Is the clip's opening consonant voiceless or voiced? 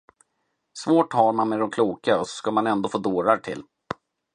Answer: voiceless